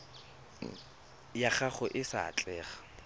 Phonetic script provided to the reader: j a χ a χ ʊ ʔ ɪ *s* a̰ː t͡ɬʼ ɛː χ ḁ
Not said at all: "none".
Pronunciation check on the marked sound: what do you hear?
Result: s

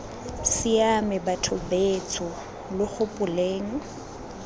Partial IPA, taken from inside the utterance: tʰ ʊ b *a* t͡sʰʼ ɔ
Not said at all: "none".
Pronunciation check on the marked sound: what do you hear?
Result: e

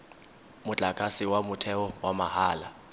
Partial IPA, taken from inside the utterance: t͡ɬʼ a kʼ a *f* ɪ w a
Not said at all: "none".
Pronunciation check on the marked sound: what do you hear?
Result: s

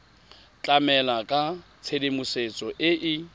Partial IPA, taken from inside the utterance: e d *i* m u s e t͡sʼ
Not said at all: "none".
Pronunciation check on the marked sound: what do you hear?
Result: e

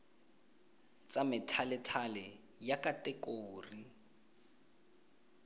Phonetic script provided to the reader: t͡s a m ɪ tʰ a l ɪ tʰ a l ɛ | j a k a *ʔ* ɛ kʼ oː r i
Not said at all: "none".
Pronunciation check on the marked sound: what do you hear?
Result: t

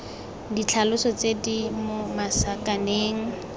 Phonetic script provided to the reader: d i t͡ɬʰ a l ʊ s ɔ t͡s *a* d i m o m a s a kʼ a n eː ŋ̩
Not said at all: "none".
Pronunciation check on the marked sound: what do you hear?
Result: e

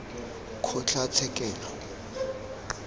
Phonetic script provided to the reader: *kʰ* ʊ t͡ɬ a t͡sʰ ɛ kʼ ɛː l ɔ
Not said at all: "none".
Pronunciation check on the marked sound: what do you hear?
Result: kʰ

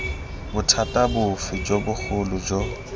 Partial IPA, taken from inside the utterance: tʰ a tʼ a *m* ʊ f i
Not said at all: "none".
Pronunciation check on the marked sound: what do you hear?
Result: b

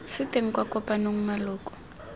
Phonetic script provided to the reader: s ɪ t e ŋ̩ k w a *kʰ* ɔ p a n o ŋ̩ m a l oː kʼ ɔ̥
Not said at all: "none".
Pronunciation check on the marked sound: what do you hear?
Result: k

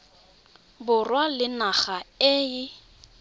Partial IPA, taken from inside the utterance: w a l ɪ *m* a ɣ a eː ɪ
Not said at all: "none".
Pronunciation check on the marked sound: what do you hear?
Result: n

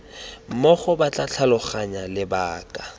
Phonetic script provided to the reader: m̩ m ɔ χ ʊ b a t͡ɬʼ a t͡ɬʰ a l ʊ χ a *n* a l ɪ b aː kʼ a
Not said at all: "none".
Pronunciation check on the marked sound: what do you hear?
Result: ɲ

